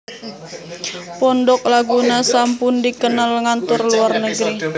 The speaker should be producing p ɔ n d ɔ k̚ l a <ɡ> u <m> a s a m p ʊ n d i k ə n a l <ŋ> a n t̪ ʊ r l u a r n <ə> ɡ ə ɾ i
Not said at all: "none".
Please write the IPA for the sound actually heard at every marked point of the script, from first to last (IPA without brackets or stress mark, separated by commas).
ɡ, n, ŋ, ə